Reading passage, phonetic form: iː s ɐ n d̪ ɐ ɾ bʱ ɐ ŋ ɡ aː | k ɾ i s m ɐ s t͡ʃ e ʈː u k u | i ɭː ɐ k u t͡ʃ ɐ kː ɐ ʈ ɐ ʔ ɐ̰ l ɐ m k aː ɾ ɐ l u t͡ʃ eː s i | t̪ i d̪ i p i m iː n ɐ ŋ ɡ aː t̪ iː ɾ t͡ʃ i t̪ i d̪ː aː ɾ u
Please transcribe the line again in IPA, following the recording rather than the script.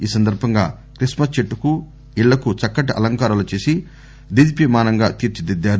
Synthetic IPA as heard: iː s ɐ n d̪ ɐ ɾ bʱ ɐ ŋ ɡ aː | k ɾ i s m ɐ s t͡ʃ e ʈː u k u | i ɭː ɐ k u t͡ʃ ɐ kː ɐ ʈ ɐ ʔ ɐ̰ l ɐ ŋ k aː ɾ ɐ l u t͡ʃ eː s i | d̪ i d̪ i p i m aː n ɐ ŋ ɡ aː t̪ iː ɾ t͡ʃ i d̪ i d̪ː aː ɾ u